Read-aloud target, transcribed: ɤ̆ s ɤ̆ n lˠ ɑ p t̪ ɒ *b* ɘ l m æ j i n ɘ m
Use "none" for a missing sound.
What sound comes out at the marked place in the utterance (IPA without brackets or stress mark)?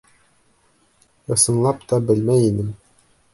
b